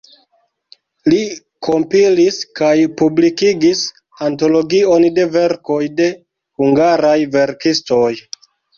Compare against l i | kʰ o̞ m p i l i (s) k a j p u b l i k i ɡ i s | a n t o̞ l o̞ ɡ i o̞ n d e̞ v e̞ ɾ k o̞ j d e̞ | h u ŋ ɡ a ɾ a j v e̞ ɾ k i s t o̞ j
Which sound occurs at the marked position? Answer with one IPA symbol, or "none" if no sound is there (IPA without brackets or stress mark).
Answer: s